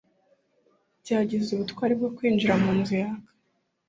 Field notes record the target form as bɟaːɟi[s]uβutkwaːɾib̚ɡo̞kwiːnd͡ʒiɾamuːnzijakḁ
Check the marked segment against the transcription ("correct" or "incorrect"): incorrect